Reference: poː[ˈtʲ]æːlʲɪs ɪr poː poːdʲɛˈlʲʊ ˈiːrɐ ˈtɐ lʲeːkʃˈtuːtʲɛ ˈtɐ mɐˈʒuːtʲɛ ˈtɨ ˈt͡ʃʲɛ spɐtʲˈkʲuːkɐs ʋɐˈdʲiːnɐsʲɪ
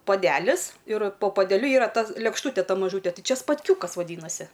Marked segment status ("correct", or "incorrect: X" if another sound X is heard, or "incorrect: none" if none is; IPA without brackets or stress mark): incorrect: dʲ